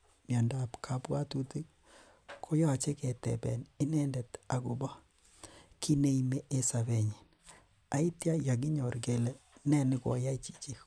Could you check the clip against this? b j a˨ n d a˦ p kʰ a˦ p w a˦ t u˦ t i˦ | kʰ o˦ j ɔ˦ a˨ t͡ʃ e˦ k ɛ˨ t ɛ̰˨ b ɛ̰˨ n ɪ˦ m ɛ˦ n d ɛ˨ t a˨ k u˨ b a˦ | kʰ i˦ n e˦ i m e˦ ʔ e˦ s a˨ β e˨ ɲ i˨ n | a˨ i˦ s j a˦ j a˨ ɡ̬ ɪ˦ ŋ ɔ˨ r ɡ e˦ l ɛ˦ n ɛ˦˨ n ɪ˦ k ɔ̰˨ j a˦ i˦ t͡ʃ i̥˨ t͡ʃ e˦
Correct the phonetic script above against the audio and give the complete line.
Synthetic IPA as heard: m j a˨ n d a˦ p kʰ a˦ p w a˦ t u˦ t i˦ | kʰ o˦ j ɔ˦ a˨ t͡ʃ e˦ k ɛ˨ t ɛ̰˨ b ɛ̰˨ n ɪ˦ n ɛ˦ n d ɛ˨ t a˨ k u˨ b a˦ | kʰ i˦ n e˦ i m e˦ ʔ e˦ s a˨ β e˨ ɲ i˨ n | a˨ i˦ t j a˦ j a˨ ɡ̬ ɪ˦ ɲ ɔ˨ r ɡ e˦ l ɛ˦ n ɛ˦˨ n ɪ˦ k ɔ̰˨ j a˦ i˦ t͡ʃ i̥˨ t͡ʃ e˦